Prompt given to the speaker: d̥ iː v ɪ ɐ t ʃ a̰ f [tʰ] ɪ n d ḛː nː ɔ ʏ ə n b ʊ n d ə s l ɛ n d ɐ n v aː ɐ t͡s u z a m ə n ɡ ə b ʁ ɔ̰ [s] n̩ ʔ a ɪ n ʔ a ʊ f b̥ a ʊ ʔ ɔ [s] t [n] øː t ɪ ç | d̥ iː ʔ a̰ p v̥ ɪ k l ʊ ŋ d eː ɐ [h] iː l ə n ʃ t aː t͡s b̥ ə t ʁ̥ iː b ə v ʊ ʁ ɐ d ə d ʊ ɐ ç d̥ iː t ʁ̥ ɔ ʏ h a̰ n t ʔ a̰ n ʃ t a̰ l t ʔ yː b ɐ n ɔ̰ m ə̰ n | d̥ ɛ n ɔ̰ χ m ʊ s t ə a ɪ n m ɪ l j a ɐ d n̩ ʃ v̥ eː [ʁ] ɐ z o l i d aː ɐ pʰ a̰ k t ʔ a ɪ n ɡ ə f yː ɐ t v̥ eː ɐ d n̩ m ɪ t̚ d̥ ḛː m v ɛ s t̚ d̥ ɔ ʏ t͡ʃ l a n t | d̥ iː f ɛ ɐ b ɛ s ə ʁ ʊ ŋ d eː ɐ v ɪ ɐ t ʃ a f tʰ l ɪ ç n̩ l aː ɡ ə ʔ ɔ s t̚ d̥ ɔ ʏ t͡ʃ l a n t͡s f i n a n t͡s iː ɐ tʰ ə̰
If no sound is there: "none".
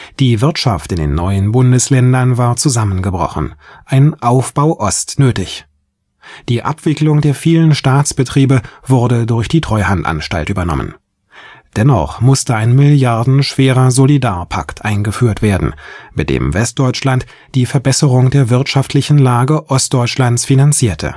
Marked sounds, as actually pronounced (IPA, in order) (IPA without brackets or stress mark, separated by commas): t, χ, s, n, f, ʁ